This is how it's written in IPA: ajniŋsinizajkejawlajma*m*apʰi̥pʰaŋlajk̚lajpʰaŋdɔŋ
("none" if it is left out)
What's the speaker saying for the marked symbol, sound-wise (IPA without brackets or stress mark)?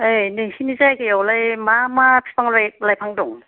m